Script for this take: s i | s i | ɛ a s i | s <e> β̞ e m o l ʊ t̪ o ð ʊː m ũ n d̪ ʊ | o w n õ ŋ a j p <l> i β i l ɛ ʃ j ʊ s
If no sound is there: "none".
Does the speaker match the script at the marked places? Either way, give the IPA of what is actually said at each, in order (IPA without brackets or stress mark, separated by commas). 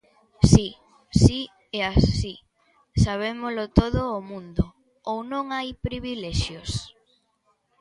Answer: a, ɾ